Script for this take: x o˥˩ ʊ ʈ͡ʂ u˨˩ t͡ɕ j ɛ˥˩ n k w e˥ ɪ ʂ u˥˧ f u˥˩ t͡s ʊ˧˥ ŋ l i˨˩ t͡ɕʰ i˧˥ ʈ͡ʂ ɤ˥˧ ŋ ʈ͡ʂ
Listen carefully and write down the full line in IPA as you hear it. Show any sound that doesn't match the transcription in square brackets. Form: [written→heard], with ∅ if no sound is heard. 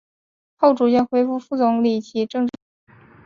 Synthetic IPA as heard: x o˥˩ ʊ ʈ͡ʂ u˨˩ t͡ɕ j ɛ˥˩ n [k→x] w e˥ ɪ [ʂ→f] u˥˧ f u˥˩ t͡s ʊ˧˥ ŋ l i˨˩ t͡ɕʰ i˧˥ ʈ͡ʂ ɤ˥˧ ŋ ʈ͡ʂ